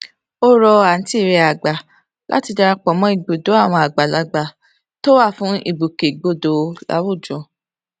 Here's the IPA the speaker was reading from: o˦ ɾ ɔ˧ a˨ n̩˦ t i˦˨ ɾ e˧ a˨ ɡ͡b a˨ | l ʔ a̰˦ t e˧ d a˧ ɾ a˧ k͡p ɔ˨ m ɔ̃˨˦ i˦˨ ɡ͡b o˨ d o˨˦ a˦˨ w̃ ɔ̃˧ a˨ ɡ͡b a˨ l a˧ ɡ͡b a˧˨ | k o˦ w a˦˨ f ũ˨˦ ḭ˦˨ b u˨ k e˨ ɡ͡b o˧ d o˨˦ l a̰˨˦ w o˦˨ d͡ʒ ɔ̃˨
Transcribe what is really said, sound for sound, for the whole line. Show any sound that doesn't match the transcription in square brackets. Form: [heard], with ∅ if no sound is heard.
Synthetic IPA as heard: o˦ ɾ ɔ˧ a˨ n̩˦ t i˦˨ ɾ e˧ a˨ ɡ͡b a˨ | l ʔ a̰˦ t [i˧] d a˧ ɾ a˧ k͡p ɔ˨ m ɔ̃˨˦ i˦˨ ɡ͡b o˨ d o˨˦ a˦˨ w̃ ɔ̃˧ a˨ ɡ͡b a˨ l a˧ ɡ͡b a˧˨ | [t] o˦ w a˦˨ f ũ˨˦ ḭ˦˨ b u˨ k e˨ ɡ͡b o˧ d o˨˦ l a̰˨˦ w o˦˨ d͡ʒ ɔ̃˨